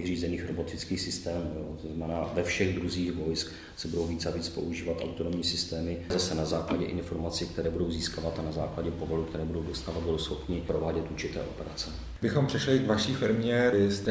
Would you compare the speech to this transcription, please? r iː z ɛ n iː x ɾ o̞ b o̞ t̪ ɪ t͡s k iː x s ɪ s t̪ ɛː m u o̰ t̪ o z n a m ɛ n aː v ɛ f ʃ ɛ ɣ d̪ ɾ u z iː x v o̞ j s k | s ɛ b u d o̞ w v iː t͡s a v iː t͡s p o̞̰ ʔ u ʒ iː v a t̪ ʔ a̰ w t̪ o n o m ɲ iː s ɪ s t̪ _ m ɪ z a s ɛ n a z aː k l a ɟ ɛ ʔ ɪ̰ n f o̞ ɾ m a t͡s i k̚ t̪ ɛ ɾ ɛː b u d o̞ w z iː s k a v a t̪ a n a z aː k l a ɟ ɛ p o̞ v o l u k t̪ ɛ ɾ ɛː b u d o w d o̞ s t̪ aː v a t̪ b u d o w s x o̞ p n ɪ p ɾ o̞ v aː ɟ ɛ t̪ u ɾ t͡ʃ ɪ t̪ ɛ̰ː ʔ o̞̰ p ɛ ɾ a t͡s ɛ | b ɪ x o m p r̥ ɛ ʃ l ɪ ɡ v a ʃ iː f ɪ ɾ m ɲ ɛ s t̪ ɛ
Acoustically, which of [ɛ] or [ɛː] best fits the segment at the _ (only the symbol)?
ɛː